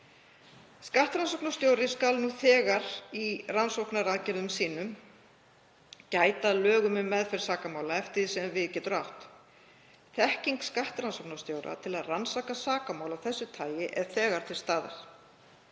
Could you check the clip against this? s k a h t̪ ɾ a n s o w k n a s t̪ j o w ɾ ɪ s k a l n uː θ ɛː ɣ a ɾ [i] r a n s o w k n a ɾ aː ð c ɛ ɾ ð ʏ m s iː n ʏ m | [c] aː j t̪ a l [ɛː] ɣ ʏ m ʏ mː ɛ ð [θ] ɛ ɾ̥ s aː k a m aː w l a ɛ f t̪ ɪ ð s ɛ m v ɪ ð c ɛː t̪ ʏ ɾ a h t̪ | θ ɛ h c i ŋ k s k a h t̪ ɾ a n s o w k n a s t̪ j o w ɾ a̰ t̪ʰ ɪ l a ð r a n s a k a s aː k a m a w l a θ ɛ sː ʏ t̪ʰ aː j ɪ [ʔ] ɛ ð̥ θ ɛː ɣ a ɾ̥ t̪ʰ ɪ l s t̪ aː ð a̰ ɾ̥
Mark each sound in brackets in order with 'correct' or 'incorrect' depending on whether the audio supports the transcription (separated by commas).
correct, correct, incorrect, incorrect, correct